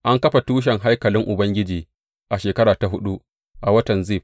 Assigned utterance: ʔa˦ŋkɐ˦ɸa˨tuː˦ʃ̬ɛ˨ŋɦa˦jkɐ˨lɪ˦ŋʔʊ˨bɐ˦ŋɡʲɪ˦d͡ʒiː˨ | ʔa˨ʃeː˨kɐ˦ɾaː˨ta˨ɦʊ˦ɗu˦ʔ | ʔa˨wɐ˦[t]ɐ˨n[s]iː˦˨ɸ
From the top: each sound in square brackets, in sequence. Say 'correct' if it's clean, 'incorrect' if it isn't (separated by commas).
correct, incorrect